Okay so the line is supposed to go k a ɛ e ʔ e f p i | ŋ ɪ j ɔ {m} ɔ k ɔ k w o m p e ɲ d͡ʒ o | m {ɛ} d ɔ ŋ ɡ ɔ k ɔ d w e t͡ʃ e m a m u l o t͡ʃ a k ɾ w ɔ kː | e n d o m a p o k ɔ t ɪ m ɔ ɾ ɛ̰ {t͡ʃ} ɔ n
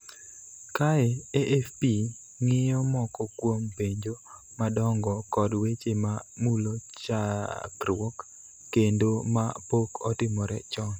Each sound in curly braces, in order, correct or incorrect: correct, incorrect: a, correct

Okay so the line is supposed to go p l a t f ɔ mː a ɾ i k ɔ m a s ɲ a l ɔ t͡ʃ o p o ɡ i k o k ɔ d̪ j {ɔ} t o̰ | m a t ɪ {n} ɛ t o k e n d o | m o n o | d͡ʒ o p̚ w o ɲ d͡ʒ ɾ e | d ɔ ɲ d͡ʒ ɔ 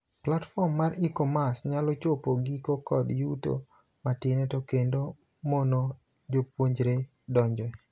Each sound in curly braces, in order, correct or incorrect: incorrect: u, correct

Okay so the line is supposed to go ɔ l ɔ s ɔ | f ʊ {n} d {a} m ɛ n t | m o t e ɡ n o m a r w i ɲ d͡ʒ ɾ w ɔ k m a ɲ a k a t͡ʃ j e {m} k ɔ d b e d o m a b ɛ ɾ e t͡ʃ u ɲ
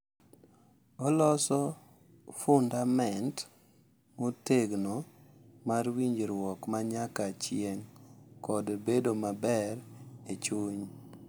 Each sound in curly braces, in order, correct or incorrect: correct, correct, incorrect: ŋ

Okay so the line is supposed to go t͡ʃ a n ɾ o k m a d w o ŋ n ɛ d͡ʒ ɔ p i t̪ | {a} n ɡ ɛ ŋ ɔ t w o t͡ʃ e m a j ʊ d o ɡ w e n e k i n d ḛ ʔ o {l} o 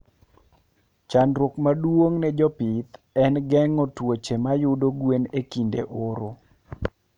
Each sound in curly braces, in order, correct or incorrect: incorrect: ɛ, incorrect: ɾ

